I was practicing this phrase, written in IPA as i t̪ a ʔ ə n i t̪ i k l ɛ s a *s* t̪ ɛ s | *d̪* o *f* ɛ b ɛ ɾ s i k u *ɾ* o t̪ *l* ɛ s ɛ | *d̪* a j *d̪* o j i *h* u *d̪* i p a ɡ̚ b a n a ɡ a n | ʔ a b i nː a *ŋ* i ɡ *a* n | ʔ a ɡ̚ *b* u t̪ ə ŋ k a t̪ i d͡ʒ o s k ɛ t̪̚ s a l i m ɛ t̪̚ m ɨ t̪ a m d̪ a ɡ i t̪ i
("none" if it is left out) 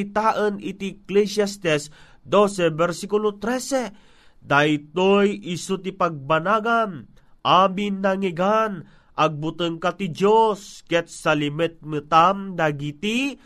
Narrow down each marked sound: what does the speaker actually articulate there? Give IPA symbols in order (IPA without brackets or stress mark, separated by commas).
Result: s, d̪, s, l, ɾ, d̪, t̪, s, t̪, ŋ, a, b